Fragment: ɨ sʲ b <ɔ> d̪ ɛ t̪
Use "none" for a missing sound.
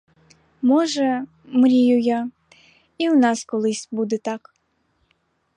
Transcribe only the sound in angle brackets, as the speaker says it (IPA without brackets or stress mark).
u